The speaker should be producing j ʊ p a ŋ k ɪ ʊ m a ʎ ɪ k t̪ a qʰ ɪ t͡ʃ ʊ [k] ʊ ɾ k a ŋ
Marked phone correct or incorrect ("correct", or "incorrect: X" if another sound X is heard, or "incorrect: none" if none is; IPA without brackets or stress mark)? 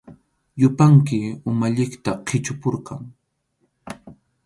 incorrect: p